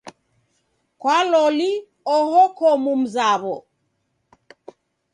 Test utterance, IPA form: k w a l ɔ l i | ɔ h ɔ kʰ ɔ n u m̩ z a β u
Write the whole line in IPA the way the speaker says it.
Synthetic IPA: k w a l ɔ l i | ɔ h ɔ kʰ ɔ m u m̩ z a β ɔ